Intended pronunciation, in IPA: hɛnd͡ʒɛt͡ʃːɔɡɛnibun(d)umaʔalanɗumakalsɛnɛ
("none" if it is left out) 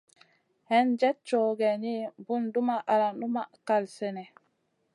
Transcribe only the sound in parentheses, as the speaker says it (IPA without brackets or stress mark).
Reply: d